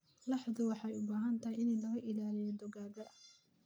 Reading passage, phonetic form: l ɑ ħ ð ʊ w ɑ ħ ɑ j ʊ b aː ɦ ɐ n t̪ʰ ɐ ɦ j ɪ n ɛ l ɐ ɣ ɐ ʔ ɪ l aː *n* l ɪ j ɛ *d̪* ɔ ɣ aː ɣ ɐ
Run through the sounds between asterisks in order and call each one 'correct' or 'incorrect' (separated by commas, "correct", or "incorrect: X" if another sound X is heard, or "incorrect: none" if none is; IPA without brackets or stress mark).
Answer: incorrect: none, correct